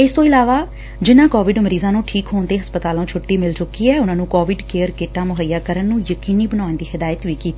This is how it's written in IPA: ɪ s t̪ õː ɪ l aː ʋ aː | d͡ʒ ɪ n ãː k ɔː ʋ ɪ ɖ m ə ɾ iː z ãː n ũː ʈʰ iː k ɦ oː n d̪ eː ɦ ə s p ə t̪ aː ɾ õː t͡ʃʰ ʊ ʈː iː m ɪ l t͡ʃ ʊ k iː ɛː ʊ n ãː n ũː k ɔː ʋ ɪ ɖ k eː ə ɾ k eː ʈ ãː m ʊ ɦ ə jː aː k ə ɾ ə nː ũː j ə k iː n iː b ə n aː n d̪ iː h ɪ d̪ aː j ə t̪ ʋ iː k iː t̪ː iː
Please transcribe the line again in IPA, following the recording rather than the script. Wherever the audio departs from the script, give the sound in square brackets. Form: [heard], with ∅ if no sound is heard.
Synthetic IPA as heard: ɪ s t̪ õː ɪ l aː ʋ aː | d͡ʒ ɪ n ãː k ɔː ʋ ɪ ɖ m ə ɾ iː z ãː n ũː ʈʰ iː k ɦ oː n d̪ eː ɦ ə s p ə t̪ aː [l] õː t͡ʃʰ ʊ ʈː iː m ɪ l t͡ʃ ʊ k iː ɛː ʊ n ãː n ũː k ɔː ʋ ɪ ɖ k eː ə ɾ k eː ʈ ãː m ʊ ɦ ə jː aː k ə ɾ ə nː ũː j ə k iː n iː b ə n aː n d̪ iː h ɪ d̪ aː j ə t̪ ʋ iː k iː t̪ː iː